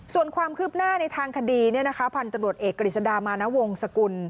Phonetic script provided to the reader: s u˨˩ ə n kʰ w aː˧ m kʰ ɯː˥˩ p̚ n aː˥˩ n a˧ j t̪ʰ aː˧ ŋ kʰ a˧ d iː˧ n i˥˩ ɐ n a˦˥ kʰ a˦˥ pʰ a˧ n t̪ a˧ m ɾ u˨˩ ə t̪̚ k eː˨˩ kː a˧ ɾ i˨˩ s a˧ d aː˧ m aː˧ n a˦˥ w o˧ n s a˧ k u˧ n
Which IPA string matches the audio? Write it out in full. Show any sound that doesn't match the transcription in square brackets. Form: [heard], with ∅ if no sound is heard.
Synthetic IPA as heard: s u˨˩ ə n kʰ w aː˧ m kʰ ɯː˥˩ p̚ n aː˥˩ n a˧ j t̪ʰ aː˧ ŋ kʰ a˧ d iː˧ n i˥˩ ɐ n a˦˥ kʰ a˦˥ pʰ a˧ n t̪ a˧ m ɾ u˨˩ ə t̪̚ [ʔ] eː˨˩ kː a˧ ɾ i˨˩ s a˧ d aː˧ m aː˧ n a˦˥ w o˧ [ŋ] s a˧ k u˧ n

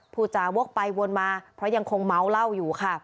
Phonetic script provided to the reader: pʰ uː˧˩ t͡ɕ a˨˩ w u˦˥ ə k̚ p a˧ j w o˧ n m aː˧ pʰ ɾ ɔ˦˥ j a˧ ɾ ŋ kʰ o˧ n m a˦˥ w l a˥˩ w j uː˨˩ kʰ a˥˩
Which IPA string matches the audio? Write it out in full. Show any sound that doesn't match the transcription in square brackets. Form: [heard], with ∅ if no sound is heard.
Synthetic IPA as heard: pʰ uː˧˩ t͡ɕ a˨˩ w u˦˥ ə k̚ p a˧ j w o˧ n m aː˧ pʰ ɾ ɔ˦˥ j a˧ [∅] ŋ kʰ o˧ [ŋ] m a˦˥ w l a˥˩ w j uː˨˩ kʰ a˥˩

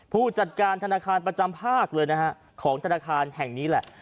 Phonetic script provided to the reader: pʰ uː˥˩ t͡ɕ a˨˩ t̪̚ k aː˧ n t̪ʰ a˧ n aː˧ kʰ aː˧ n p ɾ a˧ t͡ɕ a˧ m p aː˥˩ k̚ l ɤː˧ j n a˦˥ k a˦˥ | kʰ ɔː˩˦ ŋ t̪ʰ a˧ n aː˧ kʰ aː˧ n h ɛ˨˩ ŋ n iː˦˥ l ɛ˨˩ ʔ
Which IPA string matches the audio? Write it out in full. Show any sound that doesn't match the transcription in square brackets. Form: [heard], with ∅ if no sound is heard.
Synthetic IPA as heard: pʰ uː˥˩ t͡ɕ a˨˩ t̪̚ k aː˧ n t̪ʰ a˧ n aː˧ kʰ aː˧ n p ɾ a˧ t͡ɕ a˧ m [pʰ] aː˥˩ k̚ l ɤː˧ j n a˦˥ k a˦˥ | kʰ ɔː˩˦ ŋ t̪ʰ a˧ n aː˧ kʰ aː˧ n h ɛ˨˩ ŋ n iː˦˥ l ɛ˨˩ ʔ

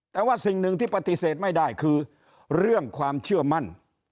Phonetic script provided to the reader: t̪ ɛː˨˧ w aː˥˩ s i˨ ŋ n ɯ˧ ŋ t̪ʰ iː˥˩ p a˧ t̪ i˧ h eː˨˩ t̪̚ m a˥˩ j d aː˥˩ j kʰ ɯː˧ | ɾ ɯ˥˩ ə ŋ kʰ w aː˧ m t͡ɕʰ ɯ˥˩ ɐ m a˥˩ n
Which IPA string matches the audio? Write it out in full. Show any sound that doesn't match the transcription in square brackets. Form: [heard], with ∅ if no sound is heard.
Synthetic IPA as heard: t̪ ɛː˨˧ w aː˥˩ s i˨ ŋ n ɯ˧ ŋ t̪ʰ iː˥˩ p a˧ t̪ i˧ [s] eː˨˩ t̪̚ m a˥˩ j d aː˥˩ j kʰ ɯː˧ | ɾ ɯ˥˩ ə ŋ kʰ w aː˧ m t͡ɕʰ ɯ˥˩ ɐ m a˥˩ n

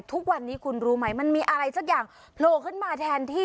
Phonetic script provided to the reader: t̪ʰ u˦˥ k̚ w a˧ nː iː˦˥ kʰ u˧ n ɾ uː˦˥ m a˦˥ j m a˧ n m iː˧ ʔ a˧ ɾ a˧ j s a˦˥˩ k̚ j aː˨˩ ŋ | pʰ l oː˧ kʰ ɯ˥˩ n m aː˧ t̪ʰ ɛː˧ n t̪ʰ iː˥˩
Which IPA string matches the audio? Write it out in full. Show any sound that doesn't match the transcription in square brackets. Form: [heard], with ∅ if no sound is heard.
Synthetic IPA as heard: t̪ʰ u˦˥ k̚ w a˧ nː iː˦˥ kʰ u˧ n ɾ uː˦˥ m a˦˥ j m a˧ n m iː˧ ʔ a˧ ɾ a˧ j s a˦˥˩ k̚ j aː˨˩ ŋ | pʰ l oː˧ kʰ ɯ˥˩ n m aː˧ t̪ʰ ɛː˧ n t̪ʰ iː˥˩

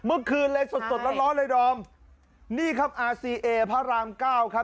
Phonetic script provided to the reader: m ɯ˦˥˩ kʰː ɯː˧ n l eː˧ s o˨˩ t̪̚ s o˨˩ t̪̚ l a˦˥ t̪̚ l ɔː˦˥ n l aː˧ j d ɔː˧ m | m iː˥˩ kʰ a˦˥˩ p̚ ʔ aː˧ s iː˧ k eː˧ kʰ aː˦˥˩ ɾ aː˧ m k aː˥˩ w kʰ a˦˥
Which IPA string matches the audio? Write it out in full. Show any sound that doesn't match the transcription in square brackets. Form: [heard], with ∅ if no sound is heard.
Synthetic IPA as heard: m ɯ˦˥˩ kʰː ɯː˧ n l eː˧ s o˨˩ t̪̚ s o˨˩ t̪̚ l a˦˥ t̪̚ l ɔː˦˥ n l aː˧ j d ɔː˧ m | [n] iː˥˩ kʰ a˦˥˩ p̚ ʔ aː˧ s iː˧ [ʔ] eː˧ [pʰ] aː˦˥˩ ɾ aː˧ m k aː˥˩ w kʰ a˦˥

